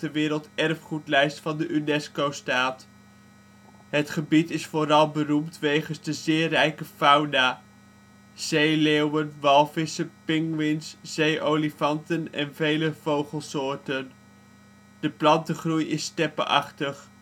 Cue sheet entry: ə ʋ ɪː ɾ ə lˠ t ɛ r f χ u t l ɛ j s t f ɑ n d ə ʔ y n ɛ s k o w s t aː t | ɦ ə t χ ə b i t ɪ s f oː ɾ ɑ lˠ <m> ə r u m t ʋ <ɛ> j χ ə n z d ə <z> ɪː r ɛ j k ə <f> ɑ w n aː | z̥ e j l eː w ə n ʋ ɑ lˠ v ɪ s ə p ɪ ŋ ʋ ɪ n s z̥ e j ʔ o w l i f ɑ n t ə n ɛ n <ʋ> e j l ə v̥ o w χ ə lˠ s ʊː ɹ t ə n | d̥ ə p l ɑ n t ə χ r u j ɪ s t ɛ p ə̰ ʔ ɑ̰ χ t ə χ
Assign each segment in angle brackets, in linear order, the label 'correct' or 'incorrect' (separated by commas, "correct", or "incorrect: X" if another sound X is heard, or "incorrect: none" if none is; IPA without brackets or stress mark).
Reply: incorrect: b, incorrect: e, correct, correct, incorrect: v